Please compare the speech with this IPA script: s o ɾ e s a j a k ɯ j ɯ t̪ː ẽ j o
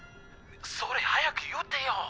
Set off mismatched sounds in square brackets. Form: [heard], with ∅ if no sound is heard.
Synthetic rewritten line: s o ɾ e [h] a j a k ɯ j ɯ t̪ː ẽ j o